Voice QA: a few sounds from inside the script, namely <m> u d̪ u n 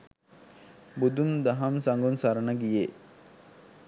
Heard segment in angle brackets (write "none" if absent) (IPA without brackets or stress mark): b